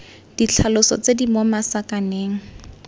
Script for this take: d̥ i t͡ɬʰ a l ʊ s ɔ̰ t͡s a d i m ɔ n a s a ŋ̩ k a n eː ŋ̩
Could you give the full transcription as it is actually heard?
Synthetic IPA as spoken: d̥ i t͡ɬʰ a l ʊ s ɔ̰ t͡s e d i m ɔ m a s a k a n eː ŋ̩